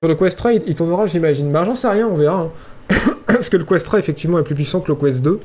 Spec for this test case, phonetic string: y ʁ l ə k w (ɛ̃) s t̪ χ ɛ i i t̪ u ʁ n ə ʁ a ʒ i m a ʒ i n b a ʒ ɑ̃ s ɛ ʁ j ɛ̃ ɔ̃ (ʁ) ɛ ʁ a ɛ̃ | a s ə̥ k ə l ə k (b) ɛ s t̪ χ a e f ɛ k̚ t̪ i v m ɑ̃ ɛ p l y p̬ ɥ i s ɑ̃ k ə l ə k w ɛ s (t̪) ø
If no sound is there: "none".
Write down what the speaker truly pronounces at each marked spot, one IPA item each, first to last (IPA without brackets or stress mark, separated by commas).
ɛ, v, w, d̪